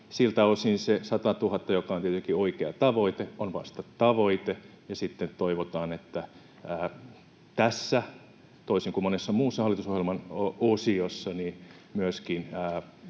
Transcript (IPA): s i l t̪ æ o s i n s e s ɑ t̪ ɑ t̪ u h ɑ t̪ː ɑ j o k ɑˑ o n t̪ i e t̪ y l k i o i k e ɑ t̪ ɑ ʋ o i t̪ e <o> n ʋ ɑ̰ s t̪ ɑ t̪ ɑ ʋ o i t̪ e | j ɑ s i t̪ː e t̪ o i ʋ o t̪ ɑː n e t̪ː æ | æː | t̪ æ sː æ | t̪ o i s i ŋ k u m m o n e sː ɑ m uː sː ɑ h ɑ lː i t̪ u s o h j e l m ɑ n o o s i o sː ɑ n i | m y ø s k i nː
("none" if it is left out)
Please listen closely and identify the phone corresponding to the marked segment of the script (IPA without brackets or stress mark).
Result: o